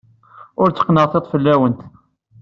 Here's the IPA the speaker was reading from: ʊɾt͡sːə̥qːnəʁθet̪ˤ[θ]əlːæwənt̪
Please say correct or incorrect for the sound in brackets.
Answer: incorrect